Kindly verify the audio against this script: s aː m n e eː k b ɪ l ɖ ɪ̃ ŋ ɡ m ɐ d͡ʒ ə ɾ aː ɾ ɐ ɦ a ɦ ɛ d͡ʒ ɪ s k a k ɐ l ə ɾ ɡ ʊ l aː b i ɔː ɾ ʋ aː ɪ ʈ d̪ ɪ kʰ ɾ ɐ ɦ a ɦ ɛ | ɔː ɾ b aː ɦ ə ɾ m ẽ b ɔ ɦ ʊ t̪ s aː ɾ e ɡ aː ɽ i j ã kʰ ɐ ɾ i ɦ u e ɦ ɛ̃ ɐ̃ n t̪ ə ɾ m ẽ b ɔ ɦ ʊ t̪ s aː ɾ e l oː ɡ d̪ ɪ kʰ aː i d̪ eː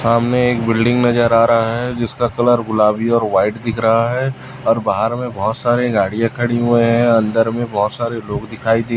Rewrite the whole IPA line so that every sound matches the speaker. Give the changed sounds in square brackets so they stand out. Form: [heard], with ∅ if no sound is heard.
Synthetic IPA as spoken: s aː m n e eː k b ɪ l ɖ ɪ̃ ŋ ɡ [n] ɐ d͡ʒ ə ɾ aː ɾ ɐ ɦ a ɦ ɛ d͡ʒ ɪ s k a k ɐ l ə ɾ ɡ ʊ l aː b i ɔː ɾ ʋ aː ɪ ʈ d̪ ɪ kʰ ɾ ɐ ɦ a ɦ ɛ | ɔː ɾ b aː ɦ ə ɾ m ẽ b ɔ ɦ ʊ t̪ s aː ɾ e ɡ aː ɽ i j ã kʰ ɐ [ɽ] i ɦ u e ɦ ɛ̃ ɐ̃ n [d̪] ə ɾ m ẽ b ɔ ɦ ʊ t̪ s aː ɾ e l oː ɡ d̪ ɪ kʰ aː i d̪ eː